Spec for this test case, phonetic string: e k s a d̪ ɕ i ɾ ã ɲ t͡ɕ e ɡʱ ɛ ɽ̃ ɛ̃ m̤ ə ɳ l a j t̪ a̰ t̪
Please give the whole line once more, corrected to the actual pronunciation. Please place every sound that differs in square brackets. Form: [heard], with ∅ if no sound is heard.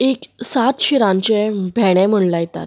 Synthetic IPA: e k s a [t̪] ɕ i ɾ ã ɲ t͡ɕ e [bʱ] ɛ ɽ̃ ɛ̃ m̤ ə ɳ l a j t̪ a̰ t̪